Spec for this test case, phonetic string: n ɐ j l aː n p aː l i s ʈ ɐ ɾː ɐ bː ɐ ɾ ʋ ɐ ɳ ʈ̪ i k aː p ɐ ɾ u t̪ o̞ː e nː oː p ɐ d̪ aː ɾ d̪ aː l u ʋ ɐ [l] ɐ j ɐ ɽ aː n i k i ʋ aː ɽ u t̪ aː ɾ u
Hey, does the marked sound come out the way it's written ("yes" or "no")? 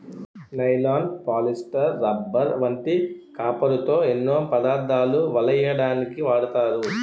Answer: yes